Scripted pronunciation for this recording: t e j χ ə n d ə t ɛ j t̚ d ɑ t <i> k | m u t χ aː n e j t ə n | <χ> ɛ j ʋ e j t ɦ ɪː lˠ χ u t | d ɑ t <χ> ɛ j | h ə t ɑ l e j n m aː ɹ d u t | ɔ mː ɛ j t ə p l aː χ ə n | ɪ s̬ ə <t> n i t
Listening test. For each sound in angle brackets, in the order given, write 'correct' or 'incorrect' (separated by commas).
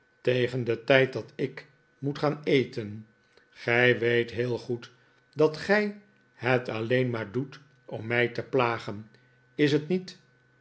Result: incorrect, correct, correct, correct